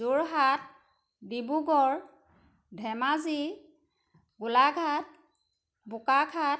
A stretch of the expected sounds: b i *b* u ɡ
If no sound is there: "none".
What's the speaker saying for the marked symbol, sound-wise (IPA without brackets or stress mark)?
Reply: b